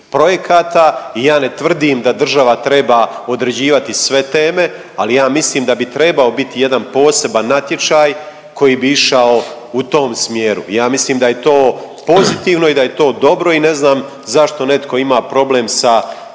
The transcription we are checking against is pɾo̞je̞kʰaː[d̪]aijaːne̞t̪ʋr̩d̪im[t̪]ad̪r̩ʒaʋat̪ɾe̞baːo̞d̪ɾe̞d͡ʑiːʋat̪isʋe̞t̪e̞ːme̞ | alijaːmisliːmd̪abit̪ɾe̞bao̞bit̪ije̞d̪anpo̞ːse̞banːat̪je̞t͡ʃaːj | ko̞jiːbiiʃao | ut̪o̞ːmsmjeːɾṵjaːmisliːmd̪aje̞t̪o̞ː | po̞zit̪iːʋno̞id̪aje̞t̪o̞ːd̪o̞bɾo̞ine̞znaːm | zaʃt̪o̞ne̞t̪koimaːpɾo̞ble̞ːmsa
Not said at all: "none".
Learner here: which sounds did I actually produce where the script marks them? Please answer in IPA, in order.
t̪, d̪

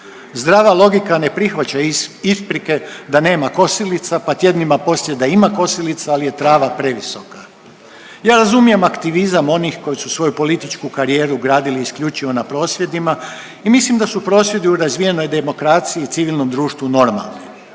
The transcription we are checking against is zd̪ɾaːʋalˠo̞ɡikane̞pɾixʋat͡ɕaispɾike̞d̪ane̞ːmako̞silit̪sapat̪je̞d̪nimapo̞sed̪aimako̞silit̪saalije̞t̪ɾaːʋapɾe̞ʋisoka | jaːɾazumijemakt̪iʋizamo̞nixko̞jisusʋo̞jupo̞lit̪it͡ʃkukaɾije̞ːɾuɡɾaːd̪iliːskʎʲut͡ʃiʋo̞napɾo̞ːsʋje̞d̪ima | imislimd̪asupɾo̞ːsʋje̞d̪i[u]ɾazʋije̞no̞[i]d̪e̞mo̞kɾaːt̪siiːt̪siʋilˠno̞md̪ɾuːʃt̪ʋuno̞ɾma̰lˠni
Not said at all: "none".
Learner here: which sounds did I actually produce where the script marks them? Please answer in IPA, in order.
u, j

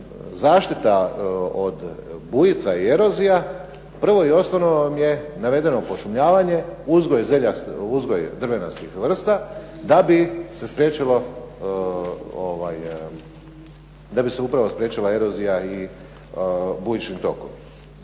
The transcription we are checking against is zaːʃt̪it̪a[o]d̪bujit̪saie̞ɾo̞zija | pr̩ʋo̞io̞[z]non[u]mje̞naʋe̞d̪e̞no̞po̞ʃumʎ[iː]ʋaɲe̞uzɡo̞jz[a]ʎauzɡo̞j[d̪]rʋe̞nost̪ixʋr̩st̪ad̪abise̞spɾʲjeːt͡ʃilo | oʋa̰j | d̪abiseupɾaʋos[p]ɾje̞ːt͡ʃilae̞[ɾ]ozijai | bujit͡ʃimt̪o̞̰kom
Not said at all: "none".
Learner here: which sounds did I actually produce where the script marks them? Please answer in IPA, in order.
o, s, o, aː, e, d̪, p, ɾ

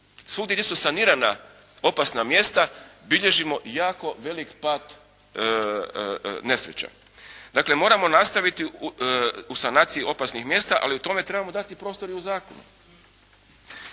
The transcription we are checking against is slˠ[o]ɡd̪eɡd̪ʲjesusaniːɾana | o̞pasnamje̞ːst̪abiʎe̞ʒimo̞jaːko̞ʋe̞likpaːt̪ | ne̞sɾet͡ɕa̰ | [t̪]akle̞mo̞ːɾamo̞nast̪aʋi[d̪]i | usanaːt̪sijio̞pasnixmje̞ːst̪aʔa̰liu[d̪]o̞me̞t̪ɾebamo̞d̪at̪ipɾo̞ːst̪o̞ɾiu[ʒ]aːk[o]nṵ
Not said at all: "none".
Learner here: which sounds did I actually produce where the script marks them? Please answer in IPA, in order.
u, d̪, t̪, t̪, z, o

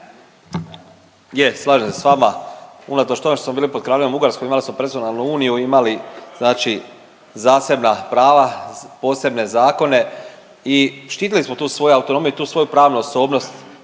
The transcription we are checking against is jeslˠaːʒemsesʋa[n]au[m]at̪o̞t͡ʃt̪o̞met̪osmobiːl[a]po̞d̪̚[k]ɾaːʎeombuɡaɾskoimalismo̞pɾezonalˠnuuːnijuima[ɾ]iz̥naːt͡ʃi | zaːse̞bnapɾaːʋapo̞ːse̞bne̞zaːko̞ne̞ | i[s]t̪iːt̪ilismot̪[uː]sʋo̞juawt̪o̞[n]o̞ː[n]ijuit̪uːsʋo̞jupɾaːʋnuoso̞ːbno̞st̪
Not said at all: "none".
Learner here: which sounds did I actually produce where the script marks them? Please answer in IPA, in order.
m, n, i, k, l, ʃ, uː, n, m

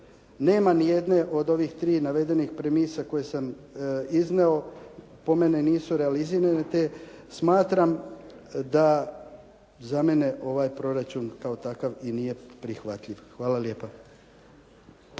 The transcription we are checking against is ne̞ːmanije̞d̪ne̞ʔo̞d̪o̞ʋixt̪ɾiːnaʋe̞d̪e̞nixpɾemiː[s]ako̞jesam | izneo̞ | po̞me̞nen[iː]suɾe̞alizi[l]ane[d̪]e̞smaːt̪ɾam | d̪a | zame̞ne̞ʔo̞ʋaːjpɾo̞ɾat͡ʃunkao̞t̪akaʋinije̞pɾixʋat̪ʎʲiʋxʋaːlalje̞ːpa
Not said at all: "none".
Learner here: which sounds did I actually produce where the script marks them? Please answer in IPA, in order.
s, iː, ɾ, t̪

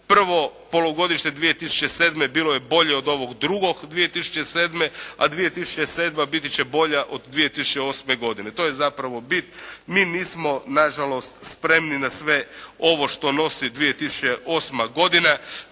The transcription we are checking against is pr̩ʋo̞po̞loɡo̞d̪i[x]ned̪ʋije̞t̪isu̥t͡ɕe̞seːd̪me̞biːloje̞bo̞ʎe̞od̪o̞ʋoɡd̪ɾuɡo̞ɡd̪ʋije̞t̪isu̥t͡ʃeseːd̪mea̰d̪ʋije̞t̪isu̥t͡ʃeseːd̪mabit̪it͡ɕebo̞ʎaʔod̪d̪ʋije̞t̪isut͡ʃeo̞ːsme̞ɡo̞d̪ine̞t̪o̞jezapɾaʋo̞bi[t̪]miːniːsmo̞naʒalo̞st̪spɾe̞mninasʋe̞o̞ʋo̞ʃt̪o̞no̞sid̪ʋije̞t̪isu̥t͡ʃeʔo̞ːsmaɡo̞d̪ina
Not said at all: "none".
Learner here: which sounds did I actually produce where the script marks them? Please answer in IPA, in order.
ʃ, t̪

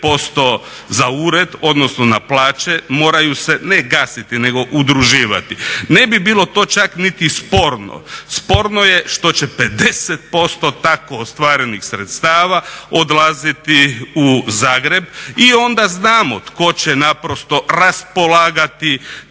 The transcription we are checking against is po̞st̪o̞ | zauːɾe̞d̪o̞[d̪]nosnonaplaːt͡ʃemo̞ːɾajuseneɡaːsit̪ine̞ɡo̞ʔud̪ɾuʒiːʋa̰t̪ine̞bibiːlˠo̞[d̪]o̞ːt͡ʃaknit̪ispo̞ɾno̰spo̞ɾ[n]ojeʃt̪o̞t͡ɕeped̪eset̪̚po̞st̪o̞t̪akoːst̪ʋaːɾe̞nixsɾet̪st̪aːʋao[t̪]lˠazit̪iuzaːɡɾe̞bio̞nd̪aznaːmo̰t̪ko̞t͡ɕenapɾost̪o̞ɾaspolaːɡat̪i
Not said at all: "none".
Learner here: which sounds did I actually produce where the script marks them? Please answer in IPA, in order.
d̪, t̪, n, d̪

